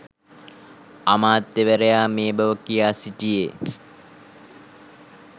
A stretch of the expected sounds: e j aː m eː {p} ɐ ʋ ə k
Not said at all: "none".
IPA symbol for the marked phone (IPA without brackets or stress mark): b